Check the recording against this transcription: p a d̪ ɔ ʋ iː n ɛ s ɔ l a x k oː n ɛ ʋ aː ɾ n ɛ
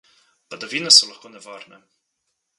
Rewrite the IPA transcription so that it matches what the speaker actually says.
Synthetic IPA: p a d̪ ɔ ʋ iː n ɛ s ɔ l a x k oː n ɛ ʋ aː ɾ n ɛ